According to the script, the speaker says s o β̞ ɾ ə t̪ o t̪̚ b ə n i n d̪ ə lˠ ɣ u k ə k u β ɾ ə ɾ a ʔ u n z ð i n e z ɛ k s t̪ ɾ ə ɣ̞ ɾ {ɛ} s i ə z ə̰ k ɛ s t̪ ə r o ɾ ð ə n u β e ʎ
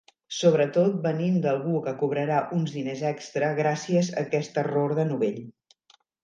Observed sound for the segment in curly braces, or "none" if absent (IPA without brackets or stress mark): a